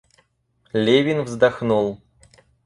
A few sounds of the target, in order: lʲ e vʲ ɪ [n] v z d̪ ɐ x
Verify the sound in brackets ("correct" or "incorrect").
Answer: correct